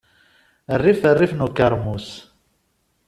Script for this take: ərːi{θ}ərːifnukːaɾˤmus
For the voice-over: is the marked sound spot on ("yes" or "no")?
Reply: no